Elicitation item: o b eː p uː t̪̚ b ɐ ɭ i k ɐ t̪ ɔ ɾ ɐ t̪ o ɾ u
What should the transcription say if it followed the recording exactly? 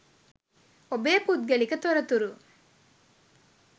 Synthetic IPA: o b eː p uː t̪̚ ɡ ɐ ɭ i k ɐ t̪ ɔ ɾ ɐ t̪ u ɾ u